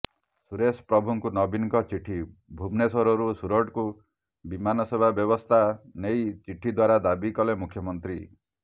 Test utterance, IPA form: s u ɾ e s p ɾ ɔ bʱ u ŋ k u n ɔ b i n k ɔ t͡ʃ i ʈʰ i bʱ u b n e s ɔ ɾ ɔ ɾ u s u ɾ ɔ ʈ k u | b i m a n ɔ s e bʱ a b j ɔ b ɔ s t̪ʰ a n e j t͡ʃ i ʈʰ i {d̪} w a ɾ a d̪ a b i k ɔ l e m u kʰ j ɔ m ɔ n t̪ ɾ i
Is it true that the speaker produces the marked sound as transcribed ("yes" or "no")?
yes